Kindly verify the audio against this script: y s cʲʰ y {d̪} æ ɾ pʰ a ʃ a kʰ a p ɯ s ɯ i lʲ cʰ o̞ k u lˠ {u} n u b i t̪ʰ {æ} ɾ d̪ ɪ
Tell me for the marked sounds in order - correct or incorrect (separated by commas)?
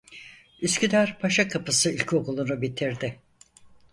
correct, correct, incorrect